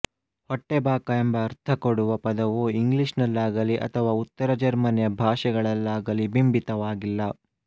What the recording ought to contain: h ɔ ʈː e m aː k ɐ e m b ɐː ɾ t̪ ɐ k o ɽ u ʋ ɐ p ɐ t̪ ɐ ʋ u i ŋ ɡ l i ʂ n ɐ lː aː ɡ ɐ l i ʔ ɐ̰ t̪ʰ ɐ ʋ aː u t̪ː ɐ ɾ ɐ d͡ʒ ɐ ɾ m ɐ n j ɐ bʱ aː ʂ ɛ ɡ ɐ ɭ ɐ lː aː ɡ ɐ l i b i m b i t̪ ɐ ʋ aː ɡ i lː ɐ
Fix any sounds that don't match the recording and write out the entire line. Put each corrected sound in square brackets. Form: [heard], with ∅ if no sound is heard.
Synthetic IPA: h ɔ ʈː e [b] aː k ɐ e m b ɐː ɾ [t̪ʰ] ɐ k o ɽ u ʋ ɐ p ɐ [d̪] ɐ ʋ u i ŋ ɡ l i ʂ n ɐ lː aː ɡ ɐ l i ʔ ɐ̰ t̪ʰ ɐ ʋ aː u t̪ː ɐ ɾ ɐ d͡ʒ ɐ ɾ m ɐ n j ɐ bʱ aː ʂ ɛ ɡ ɐ ɭ ɐ lː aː ɡ ɐ l i b i m b i t̪ ɐ ʋ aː ɡ i lː ɐ